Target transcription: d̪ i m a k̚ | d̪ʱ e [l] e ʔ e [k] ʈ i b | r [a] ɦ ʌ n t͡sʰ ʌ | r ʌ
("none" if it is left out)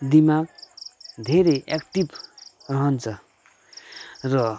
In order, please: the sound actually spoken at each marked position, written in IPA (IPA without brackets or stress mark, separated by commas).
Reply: ɾ, k, ʌ